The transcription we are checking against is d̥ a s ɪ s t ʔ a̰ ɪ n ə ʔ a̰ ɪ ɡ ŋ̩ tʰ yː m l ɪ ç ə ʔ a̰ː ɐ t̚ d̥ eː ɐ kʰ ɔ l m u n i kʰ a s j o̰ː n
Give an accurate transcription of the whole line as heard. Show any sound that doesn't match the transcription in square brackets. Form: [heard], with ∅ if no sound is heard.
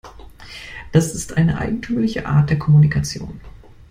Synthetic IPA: d̥ a s ɪ s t ʔ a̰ ɪ n ə ʔ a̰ ɪ ɡ ŋ̩ tʰ yː m l ɪ ç ə ʔ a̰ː ɐ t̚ d̥ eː ɐ kʰ ɔ [∅] m u n i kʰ a [t͡s] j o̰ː n